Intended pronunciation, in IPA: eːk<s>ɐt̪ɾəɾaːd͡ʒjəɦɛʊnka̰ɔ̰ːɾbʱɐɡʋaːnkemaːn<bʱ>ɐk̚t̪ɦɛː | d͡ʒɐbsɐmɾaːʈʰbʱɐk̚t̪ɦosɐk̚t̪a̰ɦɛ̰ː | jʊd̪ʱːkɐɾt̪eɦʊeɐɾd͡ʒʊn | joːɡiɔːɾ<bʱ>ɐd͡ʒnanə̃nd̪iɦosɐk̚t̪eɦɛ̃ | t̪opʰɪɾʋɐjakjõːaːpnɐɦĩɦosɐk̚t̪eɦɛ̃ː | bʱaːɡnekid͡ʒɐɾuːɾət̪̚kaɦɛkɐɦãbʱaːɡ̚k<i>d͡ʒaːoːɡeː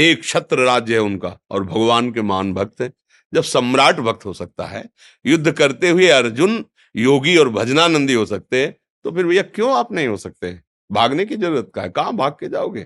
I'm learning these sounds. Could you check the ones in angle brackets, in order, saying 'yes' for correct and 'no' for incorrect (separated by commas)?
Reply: no, yes, yes, no